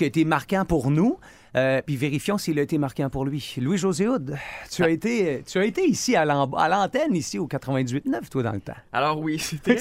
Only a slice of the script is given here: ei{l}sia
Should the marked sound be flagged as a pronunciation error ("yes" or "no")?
yes